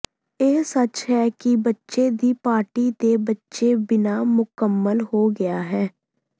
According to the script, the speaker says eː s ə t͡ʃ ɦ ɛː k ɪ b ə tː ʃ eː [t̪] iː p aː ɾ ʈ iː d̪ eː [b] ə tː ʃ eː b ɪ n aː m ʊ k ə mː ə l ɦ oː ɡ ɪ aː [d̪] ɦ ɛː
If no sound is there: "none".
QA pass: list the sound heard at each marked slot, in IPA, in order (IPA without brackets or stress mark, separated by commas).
d̪, b, none